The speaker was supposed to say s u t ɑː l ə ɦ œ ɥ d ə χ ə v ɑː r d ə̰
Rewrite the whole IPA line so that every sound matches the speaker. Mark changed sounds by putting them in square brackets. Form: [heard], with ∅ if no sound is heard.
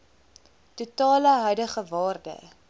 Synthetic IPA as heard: [t] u t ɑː l ə ɦ œ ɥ d ə χ ə v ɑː r d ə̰